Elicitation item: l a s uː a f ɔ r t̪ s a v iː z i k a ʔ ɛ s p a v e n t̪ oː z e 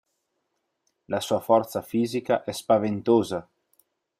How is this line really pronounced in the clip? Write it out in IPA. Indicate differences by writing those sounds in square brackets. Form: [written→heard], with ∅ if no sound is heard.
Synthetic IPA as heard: l a s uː a f ɔ r t̪ s a [v→f] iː z i k a ʔ ɛ s p a v e n t̪ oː z [e→a]